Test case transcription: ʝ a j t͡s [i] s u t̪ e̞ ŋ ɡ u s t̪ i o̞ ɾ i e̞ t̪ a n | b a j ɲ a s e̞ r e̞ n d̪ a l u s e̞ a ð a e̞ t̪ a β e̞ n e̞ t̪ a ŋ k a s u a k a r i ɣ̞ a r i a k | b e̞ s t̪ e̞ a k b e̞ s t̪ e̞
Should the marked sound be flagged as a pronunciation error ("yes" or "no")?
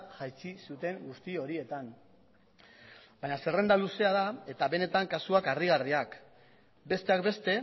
no